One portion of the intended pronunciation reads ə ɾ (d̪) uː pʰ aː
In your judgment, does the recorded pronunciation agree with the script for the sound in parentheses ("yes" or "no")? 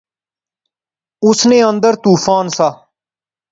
no